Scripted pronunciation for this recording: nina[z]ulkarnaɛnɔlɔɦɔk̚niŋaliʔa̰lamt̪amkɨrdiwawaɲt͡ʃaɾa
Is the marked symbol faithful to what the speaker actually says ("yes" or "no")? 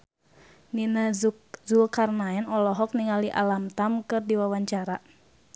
yes